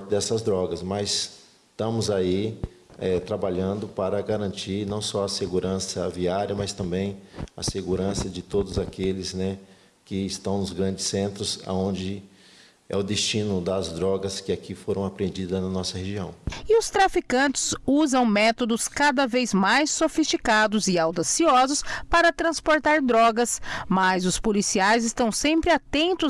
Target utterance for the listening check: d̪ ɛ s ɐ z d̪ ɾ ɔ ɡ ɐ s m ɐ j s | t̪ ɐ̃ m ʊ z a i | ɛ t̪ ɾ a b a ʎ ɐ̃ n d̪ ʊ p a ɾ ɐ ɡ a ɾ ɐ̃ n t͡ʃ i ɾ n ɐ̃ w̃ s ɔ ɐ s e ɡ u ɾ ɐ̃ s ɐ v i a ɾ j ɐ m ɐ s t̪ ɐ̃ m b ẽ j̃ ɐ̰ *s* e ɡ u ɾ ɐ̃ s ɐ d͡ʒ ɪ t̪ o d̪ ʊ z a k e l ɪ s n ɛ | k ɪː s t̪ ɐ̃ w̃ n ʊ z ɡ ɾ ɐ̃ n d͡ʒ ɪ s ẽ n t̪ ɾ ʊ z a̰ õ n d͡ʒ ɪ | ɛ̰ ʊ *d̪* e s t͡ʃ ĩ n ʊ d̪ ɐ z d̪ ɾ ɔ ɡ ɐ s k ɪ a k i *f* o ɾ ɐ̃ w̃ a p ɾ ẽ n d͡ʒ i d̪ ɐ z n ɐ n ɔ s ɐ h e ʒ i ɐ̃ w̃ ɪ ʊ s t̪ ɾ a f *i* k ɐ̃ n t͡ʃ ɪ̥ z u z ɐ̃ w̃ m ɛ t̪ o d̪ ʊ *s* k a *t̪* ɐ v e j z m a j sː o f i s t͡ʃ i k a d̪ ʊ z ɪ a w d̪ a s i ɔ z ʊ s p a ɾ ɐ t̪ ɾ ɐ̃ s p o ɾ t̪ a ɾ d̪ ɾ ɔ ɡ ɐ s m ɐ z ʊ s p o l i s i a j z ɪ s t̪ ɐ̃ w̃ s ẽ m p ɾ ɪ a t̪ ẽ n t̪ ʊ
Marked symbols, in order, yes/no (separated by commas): yes, yes, yes, yes, yes, no